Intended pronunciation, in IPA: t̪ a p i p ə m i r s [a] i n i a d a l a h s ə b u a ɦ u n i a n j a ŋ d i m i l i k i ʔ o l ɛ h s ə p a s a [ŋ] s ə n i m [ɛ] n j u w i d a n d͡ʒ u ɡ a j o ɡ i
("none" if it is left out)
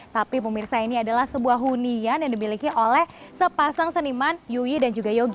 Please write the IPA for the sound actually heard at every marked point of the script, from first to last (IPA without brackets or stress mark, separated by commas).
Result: a, ŋ, a